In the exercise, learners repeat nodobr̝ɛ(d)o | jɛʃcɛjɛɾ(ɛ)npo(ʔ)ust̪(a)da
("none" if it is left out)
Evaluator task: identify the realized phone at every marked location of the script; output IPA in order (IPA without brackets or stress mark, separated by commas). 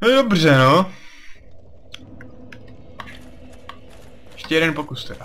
n, ɛ, k, ɛ